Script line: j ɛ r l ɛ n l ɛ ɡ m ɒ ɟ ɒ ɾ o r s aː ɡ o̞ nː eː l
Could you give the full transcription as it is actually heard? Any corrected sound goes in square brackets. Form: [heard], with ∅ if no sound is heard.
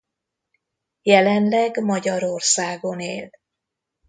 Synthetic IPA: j ɛ [∅] l ɛ n l ɛ ɡ m ɒ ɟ ɒ ɾ o r s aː ɡ o̞ [n] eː l